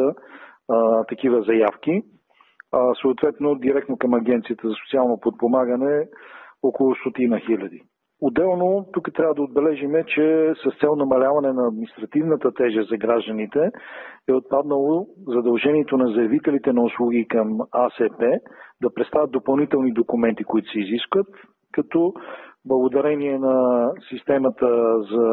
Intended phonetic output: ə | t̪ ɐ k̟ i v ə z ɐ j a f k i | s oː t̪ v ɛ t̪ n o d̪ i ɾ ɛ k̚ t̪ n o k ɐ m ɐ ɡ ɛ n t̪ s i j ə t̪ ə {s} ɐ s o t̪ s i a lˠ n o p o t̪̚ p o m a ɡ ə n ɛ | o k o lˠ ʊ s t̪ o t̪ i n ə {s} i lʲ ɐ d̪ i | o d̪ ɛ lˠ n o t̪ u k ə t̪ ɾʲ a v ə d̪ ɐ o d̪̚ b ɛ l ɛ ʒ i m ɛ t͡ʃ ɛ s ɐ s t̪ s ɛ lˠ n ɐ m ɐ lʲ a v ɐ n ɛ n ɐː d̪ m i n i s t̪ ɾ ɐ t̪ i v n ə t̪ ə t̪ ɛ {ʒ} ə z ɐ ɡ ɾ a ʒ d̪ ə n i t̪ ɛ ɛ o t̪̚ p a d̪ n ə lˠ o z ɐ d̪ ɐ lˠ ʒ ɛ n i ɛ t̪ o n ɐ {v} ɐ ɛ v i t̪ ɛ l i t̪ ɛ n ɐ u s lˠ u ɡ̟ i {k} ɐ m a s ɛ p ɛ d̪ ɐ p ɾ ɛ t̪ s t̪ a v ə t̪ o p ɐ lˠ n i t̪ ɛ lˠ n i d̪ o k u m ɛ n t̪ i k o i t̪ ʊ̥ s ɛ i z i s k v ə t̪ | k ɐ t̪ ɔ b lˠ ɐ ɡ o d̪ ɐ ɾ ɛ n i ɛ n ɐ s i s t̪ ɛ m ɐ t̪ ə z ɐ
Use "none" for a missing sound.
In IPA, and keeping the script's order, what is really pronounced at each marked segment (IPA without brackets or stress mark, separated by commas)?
z, x, ʒ, z, k